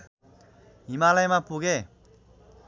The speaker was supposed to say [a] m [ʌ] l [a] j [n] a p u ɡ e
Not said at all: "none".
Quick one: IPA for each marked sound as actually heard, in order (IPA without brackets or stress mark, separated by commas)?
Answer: i, a, a, m